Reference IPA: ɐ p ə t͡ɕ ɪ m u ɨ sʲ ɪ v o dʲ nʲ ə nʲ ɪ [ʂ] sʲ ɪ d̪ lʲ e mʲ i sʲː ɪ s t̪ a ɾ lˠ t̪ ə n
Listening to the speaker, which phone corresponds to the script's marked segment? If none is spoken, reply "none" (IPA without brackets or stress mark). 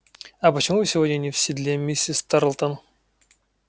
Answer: f